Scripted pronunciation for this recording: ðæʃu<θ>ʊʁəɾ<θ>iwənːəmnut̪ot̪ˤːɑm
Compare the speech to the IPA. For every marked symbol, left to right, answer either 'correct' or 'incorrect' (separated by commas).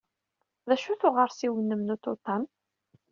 correct, incorrect